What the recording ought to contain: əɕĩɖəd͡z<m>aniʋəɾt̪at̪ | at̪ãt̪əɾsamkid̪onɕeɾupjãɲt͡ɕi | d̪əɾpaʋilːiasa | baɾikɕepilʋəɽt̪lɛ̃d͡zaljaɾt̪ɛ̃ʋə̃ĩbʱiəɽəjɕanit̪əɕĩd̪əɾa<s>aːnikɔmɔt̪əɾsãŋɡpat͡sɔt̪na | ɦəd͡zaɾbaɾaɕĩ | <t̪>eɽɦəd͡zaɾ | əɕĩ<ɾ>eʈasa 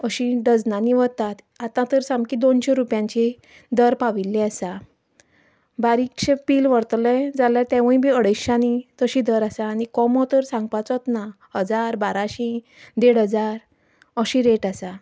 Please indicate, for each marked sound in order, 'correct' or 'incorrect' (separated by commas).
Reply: incorrect, correct, incorrect, correct